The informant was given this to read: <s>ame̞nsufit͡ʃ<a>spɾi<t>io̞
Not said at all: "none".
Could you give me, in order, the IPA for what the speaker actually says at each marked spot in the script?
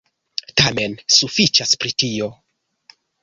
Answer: t, a, t

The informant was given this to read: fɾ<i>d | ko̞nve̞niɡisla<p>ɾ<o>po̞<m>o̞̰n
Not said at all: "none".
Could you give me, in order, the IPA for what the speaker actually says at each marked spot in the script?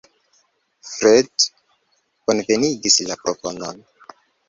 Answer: e, p, o, n

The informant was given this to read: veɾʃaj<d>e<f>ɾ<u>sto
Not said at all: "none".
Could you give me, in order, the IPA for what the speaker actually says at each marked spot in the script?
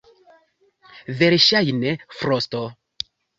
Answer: n, f, o

